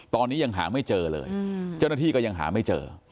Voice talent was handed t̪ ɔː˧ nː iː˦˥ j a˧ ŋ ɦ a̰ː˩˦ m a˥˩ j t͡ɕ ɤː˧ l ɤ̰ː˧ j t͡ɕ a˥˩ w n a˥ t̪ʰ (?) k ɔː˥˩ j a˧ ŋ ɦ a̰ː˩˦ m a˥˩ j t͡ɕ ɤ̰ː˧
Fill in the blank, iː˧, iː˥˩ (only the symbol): iː˥˩